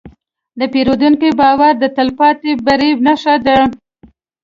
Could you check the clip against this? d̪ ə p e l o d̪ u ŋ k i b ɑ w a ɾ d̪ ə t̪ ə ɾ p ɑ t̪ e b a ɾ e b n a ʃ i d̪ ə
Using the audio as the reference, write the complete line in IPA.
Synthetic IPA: d̪ ə p e ɾ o d̪ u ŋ k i b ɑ w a ɾ d̪ ə t̪ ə l p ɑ t̪ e b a ɾ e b n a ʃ a d̪ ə